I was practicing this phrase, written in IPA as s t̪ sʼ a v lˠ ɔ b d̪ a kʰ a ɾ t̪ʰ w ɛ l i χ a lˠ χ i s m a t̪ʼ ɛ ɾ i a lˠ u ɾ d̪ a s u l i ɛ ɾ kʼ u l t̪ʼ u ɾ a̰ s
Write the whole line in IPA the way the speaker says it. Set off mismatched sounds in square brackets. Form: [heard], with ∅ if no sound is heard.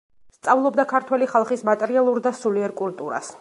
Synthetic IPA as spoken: s t̪ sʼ a v lˠ ɔ b d̪ a kʰ a ɾ t̪ʰ w ɛ l i χ a lˠ χ i s m a t̪ʼ ɛ ɾ i a lˠ u ɾ d̪ a s u l i ɛ ɾ kʼ u l t̪ʼ u ɾ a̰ s